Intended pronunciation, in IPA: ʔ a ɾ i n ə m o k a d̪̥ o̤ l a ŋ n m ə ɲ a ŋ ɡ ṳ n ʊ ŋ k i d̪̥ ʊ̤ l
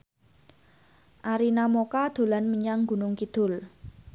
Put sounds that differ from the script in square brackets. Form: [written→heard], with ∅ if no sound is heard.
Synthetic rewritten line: ʔ a ɾ i n [ə→a] m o k a d̪̥ o̤ l a [ŋ→∅] n m ə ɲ a ŋ ɡ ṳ n ʊ ŋ k i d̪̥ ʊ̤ l

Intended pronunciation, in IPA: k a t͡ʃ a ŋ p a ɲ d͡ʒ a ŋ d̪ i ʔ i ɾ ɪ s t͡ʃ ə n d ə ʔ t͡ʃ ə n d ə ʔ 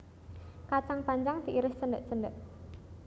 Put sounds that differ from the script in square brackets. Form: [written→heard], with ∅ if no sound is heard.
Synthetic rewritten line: k a t͡ʃ a ŋ p a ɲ d͡ʒ a ŋ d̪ i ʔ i ɾ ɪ s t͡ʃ ə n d ə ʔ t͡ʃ ə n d ə ʔ

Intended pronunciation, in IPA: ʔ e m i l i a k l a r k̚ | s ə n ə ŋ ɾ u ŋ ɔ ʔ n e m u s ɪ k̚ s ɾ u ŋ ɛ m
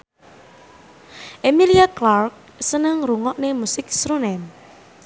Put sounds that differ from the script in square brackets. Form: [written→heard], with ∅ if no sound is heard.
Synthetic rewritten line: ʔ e m i l i a k l a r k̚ | s ə n ə ŋ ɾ u ŋ ɔ ʔ n e m u s ɪ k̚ s ɾ u [ŋ→n] ɛ m

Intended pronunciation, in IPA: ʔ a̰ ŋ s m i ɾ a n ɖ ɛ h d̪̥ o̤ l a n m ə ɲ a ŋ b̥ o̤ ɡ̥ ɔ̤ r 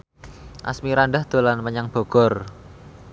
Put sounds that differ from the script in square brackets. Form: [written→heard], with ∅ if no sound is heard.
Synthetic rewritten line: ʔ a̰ [ŋ→∅] s m i ɾ a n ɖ [ɛ→a] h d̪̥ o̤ l a n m ə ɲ a ŋ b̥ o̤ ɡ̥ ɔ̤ r

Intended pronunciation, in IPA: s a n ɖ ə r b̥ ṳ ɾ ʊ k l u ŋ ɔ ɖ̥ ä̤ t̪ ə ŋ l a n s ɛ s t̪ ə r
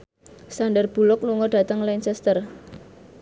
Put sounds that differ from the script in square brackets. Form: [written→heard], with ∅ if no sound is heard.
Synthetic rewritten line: s a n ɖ ə r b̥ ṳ [ɾ→l] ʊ k l u ŋ ɔ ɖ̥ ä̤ t̪ ə ŋ l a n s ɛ s t̪ ə r

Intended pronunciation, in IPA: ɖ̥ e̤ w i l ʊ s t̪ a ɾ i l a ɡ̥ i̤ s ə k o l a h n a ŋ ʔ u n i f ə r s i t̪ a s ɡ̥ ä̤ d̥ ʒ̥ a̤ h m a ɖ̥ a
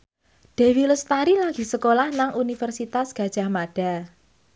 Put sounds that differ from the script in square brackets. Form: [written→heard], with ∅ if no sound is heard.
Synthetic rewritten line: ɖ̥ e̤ w i l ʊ s t̪ a ɾ i l a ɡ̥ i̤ s ə k o l a h n a ŋ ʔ u n i f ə r s i t̪ a s ɡ̥ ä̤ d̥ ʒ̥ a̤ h m a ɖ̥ a

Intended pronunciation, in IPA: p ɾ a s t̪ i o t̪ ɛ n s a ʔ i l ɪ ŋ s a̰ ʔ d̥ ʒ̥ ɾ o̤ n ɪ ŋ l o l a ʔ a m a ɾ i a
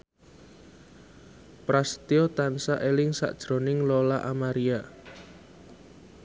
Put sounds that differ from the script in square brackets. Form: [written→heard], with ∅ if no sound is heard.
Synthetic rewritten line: p ɾ a s t̪ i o t̪ [ɛ→a] n s a ʔ [i→e] l ɪ ŋ s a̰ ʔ d̥ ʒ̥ ɾ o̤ n ɪ ŋ l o l a ʔ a m a ɾ i a

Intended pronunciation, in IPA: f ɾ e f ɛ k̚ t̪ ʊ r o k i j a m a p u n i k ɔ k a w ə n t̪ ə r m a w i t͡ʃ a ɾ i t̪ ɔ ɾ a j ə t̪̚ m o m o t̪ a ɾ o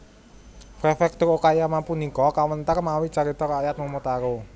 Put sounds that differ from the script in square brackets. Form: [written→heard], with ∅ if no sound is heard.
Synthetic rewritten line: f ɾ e f ɛ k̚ t̪ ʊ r o k [i→a] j a m a p u n i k ɔ k a w ə n t̪ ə r m a w i t͡ʃ a ɾ i t̪ ɔ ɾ a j [ə→a] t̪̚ m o m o t̪ a ɾ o

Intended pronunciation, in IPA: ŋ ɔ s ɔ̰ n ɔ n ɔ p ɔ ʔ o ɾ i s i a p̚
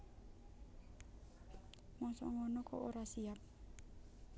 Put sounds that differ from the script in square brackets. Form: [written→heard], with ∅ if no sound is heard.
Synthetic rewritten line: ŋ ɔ s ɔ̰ [n→ŋ] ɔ n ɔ [p→k] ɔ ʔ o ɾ [i→a] s i a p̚

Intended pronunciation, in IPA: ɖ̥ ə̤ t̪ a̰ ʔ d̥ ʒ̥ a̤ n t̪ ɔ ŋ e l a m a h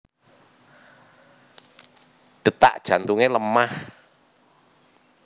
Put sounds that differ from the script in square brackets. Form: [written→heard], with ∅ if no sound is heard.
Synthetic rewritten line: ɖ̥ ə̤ t̪ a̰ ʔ d̥ ʒ̥ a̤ n t̪ [ɔ→u] ŋ e l [a→ə] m a h

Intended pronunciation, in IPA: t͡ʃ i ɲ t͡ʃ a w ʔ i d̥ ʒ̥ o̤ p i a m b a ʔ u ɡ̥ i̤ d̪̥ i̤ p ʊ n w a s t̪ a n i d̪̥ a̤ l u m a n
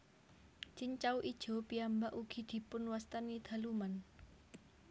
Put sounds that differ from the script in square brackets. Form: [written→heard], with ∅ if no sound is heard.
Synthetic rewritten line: t͡ʃ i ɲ t͡ʃ a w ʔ i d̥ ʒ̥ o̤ p i a m b a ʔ u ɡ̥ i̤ d̪̥ i̤ p ʊ n w a s t̪ a n i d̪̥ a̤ l u m a n

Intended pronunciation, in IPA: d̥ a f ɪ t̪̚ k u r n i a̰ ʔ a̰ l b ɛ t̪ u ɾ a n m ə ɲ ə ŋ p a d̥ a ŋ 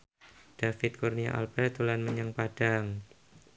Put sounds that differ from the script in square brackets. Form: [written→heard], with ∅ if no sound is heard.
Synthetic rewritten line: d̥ a f ɪ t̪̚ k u r n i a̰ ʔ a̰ l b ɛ t̪ u [ɾ→l] a n m ə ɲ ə ŋ p a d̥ a ŋ

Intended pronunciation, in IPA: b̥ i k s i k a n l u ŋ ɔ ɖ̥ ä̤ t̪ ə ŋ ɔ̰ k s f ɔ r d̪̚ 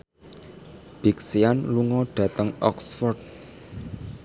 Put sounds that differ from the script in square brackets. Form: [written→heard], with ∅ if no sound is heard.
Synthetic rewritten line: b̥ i k s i [k→∅] a n l u ŋ ɔ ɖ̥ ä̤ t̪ ə ŋ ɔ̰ k s f ɔ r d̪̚

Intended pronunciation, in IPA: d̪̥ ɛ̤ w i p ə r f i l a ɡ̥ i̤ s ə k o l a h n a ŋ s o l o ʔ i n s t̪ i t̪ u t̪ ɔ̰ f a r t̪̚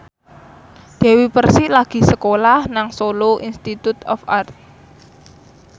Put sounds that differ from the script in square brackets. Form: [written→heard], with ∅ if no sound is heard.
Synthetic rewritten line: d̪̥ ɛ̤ w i p ə r [f→s] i l a ɡ̥ i̤ s ə k o l a h n a ŋ s o l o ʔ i n s t̪ i t̪ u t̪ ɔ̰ f a r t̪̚

